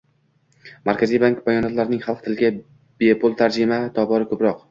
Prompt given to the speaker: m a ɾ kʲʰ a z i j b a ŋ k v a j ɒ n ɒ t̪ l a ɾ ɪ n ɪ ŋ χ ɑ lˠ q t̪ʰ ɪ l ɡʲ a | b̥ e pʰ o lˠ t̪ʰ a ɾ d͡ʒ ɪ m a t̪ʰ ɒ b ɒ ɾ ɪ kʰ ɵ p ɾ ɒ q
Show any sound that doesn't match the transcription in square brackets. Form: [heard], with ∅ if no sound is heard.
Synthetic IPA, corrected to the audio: m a ɾ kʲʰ a z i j b a ŋ k [b] a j ɒ n ɒ t̪ l a ɾ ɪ n ɪ ŋ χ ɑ lˠ q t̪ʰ ɪ l ɡʲ a | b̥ e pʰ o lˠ t̪ʰ a ɾ d͡ʒ ɪ m a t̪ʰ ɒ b ɒ ɾ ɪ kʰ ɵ p ɾ ɒ q